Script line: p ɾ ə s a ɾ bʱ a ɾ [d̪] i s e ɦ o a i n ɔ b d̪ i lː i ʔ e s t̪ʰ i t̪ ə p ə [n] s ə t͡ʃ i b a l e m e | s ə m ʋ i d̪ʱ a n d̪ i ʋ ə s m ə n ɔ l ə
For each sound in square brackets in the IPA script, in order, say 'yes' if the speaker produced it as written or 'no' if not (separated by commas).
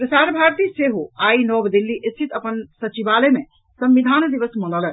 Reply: no, yes